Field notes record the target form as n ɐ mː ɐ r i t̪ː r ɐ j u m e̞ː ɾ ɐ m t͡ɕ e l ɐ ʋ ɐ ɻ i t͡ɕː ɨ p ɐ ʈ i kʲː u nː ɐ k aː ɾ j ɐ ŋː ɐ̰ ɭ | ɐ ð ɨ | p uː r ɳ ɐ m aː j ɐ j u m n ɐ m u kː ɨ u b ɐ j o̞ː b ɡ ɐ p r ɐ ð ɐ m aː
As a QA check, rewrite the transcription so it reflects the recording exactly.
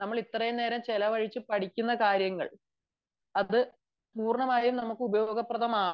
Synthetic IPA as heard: n ɐ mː ɐ ɭ i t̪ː r ɐ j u n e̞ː ɾ ɐ m t͡ɕ e l ɐ ʋ ɐ ɻ i t͡ɕː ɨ p ɐ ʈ i kʲː u nː ɐ k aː ɾ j ɐ ŋː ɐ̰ ɭ | ɐ ð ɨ | p uː r ɳ ɐ m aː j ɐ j u m n ɐ m u kː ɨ u b ɐ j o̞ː ɡ ɐ p r ɐ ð ɐ m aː

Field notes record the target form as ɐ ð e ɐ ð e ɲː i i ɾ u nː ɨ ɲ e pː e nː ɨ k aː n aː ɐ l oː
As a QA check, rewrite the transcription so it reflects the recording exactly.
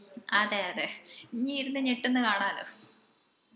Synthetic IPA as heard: ɐ ð e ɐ ð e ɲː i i ɾ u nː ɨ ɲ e ʈː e nː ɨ k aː ɳ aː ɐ l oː

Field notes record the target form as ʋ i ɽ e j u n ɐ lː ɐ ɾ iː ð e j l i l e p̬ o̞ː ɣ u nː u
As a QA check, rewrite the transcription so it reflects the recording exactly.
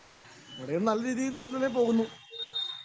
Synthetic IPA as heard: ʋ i ɽ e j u n ɐ lː ɐ ɾ iː ð i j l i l e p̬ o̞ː ɣ u nː u

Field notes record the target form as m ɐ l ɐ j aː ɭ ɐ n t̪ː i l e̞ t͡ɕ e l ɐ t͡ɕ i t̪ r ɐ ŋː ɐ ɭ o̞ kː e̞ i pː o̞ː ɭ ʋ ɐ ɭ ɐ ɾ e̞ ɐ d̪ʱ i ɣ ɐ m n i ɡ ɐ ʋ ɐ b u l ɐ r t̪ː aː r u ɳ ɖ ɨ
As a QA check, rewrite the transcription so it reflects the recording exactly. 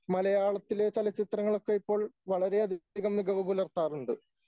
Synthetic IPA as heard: m ɐ l ɐ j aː ɭ ɐ t̪ː i l e̞ t͡ɕ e l ɐ t͡ɕ i t̪ r ɐ ŋː ɐ ɭ o̞ kː e̞ i pː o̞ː ɭ ʋ ɐ ɭ ɐ ɾ e̞ ɐ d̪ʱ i ɣ ɐ m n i ɡ ɐ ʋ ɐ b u l ɐ r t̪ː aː r u ɳ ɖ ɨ

